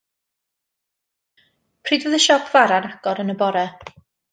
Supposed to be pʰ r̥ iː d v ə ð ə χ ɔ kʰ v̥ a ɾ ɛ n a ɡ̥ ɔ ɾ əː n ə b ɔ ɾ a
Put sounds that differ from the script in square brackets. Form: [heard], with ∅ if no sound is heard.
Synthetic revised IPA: pʰ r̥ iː d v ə ð ə [ʃ] ɔ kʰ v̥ a ɾ [a] n a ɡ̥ ɔ ɾ [ə] n ə b ɔ ɾ [ɛ]